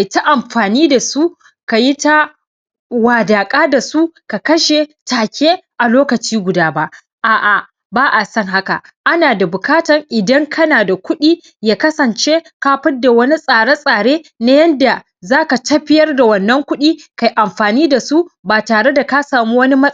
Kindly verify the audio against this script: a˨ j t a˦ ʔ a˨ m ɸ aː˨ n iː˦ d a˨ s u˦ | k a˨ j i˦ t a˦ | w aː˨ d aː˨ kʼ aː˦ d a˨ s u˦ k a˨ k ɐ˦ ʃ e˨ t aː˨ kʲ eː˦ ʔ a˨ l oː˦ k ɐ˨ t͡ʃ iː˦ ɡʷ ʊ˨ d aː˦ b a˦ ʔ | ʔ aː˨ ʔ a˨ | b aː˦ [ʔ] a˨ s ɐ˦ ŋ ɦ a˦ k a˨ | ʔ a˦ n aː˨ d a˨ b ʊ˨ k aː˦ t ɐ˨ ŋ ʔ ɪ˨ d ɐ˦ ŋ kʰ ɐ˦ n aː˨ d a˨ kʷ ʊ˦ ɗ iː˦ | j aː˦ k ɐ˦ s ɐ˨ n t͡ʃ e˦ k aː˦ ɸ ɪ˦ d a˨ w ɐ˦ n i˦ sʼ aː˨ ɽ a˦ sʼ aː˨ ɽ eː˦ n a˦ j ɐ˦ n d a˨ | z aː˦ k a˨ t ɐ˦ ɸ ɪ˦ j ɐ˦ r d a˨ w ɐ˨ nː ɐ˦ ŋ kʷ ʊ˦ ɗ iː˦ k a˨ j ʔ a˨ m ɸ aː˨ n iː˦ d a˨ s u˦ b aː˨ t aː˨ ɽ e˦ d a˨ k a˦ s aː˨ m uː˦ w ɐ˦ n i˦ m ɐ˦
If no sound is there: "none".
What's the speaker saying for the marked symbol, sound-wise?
ʔ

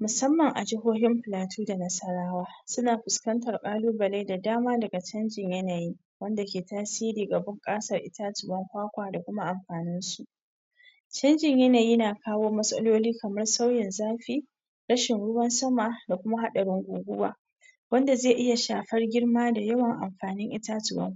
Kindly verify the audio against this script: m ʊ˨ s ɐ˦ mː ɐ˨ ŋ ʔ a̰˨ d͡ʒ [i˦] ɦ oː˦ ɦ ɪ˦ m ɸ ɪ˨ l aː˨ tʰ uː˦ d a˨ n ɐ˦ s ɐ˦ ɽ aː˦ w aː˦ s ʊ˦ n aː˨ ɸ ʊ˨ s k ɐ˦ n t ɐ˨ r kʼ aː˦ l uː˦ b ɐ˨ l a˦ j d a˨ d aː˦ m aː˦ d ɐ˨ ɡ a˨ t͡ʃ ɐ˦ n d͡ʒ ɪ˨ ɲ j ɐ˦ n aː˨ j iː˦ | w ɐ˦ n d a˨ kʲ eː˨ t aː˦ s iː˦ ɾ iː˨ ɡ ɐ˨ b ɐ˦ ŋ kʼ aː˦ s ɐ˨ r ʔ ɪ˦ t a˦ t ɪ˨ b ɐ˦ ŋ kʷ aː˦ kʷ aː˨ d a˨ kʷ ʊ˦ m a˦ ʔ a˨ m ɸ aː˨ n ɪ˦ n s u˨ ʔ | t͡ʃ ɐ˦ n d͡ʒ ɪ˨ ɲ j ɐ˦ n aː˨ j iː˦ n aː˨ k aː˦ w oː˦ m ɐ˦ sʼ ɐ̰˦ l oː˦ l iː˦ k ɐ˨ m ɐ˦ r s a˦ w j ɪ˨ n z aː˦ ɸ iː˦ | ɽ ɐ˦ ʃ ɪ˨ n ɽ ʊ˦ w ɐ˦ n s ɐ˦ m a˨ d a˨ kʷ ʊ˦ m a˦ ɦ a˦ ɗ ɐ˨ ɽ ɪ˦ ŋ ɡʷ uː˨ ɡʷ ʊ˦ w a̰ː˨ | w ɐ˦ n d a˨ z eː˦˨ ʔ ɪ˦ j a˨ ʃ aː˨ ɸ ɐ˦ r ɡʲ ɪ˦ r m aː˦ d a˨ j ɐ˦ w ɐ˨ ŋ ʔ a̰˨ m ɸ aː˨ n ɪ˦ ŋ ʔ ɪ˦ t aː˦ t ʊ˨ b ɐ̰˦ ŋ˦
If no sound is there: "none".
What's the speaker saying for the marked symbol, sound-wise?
ɪ˦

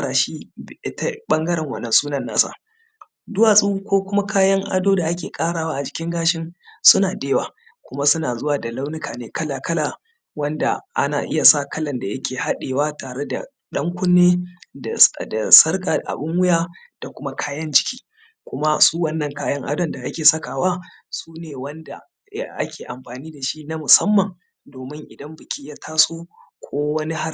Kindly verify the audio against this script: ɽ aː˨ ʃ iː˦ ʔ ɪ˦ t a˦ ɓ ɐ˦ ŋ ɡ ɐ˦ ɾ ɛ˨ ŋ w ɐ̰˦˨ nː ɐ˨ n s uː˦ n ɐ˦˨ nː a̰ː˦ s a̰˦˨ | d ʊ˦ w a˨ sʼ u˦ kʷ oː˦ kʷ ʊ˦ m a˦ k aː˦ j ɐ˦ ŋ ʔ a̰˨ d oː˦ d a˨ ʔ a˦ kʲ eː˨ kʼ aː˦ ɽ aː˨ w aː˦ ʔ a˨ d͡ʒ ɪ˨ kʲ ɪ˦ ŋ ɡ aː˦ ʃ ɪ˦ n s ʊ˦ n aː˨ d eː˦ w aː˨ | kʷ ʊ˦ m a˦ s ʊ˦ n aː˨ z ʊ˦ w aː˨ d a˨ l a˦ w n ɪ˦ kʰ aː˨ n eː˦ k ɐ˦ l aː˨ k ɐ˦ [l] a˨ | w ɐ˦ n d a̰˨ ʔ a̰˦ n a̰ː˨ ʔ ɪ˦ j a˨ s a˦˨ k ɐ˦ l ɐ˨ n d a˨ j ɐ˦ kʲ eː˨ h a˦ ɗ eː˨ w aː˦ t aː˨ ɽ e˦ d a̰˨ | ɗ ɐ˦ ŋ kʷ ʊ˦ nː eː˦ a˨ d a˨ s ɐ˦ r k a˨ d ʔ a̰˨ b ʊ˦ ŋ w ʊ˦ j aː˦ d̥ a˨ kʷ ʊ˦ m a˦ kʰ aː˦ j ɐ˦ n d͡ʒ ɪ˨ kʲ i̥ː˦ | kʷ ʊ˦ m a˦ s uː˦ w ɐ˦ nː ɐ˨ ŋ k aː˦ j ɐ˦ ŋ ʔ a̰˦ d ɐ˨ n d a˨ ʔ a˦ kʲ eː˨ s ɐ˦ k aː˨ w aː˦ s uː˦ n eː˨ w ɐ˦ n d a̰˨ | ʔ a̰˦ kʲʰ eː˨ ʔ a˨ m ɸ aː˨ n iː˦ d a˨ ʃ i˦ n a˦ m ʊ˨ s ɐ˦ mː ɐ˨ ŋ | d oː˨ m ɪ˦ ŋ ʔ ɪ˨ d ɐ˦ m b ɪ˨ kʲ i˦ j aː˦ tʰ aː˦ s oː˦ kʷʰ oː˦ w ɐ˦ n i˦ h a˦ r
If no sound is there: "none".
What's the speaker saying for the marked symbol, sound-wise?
l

